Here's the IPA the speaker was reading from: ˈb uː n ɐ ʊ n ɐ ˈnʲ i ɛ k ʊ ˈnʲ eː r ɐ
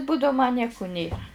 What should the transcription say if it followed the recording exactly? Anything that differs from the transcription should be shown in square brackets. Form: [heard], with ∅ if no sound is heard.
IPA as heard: ˈb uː [d] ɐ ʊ [m] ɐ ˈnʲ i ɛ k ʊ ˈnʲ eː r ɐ